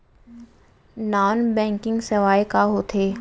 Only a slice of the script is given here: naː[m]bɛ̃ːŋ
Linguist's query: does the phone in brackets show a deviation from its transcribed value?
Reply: yes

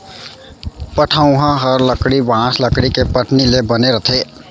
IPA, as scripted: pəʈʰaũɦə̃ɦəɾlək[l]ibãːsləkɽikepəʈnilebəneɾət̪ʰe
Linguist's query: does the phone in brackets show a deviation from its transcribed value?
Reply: yes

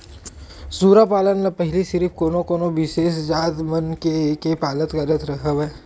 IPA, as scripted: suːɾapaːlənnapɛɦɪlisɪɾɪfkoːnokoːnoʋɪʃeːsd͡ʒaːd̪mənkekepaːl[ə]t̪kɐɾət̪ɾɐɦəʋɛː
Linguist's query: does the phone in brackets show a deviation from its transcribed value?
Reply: no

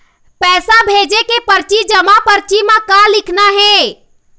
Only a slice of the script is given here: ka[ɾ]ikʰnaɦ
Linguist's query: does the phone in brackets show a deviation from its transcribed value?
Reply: yes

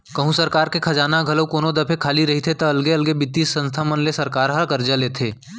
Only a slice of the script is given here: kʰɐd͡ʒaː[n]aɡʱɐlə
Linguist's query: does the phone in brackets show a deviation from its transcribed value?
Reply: no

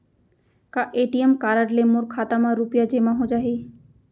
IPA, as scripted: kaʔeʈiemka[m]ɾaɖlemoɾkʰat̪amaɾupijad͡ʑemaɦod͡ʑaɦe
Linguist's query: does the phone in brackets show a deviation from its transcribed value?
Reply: yes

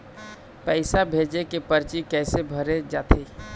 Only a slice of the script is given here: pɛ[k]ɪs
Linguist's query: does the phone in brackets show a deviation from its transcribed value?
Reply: yes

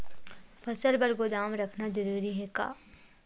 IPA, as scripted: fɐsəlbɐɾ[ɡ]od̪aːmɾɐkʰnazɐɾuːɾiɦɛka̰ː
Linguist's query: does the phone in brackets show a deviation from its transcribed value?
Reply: no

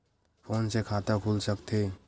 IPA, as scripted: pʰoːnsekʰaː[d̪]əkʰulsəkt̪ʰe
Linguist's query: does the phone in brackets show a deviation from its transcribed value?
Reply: yes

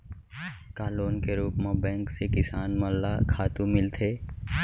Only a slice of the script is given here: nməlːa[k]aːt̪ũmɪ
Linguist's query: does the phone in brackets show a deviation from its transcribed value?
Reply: yes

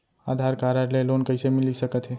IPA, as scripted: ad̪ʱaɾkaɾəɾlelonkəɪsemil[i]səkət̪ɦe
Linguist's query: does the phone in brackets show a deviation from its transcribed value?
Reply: no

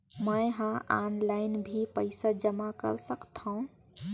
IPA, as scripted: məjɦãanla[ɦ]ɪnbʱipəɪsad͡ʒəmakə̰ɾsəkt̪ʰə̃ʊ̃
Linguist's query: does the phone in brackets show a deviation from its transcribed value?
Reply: yes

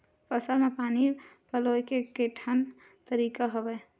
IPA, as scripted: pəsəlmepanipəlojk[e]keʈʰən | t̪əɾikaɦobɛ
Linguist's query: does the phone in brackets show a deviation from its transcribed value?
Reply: no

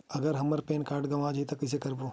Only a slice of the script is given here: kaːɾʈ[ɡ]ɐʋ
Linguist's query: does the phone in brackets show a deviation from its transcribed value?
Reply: no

